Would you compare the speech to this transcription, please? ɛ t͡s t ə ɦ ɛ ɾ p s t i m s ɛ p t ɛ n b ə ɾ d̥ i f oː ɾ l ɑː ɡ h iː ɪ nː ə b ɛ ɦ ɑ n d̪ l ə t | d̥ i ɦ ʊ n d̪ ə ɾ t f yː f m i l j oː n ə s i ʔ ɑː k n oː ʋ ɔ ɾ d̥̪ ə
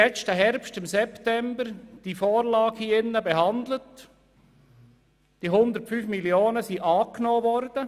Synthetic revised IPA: ɛ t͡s t ə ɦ ɛ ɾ p s t ɪ m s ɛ p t ɛ m b ə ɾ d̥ i f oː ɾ l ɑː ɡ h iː ɪ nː ə b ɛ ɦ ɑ n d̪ l ə t | d̥ i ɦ ʊ n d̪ ə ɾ t f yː f m i l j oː n ə s i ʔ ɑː k n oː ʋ ɔ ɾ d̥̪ ə